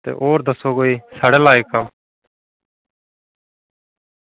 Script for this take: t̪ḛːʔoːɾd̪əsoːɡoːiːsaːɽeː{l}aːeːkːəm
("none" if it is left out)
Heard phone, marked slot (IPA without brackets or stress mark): l